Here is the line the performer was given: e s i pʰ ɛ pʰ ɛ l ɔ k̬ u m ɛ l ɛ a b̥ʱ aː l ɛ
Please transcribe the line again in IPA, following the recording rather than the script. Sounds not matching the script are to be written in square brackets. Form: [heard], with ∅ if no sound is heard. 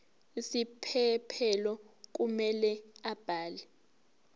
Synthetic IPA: [i] s i pʰ ɛ pʰ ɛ l ɔ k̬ u m ɛ l ɛ a b̥ʱ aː l ɛ